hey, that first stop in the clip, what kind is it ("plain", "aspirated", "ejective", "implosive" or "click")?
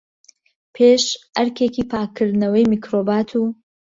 aspirated